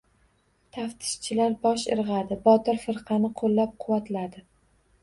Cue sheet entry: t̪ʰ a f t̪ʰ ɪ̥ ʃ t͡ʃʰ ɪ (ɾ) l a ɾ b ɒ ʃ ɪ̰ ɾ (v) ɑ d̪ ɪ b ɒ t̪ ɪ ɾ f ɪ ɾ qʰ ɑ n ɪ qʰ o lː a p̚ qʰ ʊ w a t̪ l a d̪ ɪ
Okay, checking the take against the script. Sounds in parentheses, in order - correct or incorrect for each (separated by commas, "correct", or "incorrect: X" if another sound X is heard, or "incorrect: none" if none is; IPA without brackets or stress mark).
incorrect: none, incorrect: ʁ